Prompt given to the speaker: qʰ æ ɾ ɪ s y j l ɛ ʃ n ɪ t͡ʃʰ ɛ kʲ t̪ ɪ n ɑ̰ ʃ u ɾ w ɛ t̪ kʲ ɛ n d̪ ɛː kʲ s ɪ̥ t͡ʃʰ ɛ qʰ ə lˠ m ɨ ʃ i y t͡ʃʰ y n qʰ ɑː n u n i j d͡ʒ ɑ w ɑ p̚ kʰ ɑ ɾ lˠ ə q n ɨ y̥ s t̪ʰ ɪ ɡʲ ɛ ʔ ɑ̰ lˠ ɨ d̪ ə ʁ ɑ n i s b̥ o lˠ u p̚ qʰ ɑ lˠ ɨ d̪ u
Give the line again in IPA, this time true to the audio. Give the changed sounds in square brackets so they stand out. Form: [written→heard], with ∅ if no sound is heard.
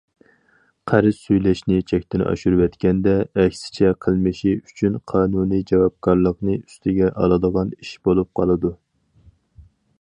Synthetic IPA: qʰ æ ɾ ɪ s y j l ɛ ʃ n ɪ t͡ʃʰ ɛ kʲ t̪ ɪ n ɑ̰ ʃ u ɾ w ɛ t̪ kʲ ɛ n d̪ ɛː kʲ s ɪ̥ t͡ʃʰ ɛ qʰ ə lˠ m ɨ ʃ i y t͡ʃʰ y n qʰ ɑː n u n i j d͡ʒ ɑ w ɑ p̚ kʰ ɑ ɾ lˠ ə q n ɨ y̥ s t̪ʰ ɪ ɡʲ ɛ ʔ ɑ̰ lˠ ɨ d̪ ə ʁ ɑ n i [s→ʃ] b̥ o lˠ u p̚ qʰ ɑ lˠ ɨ d̪ u